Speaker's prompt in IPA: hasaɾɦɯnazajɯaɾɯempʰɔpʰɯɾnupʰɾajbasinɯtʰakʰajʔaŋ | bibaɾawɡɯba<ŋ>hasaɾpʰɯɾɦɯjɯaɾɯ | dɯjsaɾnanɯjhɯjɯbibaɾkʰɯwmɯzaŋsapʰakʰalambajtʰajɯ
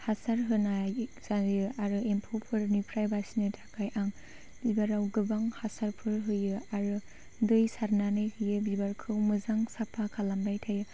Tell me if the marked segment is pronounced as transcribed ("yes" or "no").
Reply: yes